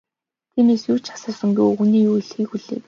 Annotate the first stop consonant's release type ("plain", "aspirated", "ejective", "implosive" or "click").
aspirated